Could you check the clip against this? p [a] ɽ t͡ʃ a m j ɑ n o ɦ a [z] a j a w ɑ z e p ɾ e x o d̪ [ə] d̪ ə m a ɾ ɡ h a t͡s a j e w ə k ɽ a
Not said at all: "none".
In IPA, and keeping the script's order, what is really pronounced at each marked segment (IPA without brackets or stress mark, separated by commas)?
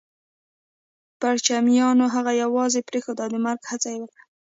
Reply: a, ɣ, ɑ